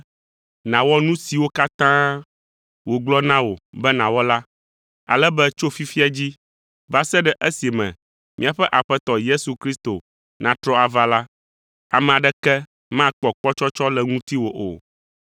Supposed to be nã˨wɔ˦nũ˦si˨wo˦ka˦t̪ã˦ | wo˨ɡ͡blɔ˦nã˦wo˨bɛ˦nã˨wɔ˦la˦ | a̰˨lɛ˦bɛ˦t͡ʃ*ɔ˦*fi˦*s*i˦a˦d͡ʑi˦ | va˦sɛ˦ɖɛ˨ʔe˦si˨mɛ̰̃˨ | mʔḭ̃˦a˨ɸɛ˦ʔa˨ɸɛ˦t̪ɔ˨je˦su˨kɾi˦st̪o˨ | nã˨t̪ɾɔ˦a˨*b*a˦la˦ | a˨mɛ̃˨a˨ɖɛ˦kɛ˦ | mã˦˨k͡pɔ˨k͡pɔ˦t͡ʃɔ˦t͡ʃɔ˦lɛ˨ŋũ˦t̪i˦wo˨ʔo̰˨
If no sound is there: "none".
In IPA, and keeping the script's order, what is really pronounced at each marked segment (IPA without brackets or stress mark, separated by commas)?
o˦, f, v